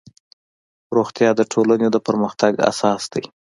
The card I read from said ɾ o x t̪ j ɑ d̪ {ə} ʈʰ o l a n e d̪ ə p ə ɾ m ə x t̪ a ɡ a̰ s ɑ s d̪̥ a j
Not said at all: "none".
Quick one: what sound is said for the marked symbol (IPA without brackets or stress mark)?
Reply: ə